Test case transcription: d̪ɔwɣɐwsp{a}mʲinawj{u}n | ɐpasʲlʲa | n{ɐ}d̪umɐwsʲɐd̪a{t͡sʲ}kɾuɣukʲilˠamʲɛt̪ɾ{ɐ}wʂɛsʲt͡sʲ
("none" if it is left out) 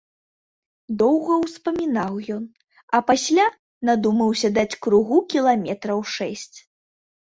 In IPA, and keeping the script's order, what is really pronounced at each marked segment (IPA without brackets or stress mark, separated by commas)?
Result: ɐ, ɔ, a, t͡sʲ, ɐ